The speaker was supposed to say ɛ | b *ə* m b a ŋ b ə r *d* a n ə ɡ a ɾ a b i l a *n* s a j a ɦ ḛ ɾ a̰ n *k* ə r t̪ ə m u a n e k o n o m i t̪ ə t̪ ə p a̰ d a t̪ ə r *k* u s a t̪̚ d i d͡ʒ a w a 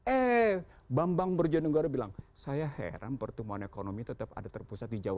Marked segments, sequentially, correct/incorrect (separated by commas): incorrect, incorrect, incorrect, incorrect, incorrect